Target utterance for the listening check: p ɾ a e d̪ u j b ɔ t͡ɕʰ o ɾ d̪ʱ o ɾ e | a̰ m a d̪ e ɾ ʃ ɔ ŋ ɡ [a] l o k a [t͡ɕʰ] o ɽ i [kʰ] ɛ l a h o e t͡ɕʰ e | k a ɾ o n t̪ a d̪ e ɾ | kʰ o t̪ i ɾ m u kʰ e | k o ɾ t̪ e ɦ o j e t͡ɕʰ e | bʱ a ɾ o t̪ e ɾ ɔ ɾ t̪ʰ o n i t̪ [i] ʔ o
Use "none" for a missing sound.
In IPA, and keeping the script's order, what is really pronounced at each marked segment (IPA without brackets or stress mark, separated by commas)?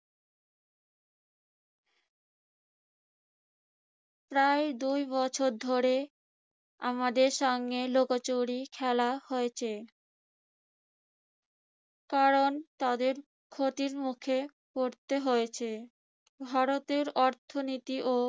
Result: e, t͡ɕ, kʰ, i